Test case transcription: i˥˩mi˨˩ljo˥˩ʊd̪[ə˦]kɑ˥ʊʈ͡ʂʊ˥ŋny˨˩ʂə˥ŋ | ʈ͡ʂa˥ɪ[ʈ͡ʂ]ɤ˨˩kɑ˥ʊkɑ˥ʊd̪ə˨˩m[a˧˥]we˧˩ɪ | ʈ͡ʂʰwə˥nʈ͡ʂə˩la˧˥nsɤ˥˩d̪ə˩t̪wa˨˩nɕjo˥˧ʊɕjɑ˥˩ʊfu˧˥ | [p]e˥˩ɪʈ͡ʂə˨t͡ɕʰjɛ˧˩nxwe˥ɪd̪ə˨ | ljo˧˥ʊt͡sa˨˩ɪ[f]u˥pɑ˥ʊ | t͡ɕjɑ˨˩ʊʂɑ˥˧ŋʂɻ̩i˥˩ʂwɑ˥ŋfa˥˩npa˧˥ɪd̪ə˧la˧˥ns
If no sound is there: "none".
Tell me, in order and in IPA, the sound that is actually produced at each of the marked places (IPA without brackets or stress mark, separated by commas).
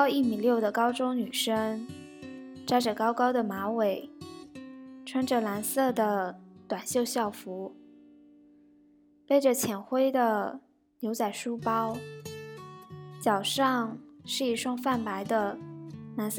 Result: ə˩, ʈ͡ʂ, a˧˥, p, ʂ